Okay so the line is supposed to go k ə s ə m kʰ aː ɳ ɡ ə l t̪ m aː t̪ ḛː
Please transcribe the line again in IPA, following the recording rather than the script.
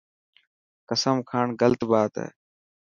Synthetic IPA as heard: k ə s ə m kʰ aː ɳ ɡ ə l t̪ b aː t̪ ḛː

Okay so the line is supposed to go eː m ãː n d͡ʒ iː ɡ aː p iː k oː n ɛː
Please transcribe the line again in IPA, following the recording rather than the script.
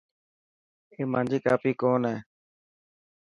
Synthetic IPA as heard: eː m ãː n d͡ʒ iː k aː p iː k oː n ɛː

